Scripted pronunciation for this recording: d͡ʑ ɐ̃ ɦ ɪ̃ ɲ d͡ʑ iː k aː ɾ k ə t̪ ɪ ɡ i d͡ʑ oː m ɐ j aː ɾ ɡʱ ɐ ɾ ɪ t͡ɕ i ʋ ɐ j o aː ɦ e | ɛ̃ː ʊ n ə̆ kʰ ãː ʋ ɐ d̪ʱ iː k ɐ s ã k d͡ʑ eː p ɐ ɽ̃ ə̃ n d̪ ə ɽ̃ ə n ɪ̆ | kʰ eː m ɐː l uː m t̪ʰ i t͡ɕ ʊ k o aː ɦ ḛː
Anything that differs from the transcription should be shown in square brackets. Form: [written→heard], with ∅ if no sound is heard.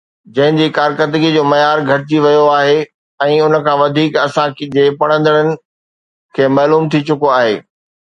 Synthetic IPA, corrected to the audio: d͡ʑ ɐ̃ ɦ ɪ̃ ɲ d͡ʑ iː k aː ɾ k ə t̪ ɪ ɡ i d͡ʑ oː m ɐ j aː ɾ ɡʱ ɐ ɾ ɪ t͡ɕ i ʋ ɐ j o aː ɦ e | ɛ̃ː ʊ n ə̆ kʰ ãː ʋ ɐ d̪ʱ iː k ɐ s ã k d͡ʑ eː p ɐ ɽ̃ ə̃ n d̪ ə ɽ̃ ə n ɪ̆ | kʰ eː m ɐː l uː m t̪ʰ i t͡ɕ ʊ k o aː ɦ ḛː